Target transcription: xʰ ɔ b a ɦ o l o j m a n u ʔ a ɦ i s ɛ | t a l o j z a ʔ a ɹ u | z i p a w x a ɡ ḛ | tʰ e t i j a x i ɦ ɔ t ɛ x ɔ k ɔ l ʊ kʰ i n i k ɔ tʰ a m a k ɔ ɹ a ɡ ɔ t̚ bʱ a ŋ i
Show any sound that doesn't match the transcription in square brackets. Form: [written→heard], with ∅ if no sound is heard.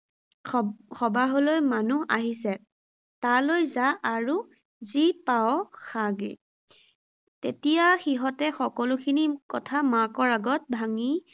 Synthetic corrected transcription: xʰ ɔ b a ɦ o l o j m a n u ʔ a ɦ i s ɛ | t a l o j z a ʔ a ɹ u | z i p a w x a ɡ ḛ | [tʰ→t] e t i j a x i ɦ ɔ t ɛ x ɔ k ɔ l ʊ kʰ i n i k ɔ tʰ a m a k ɔ ɹ a ɡ ɔ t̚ bʱ a ŋ i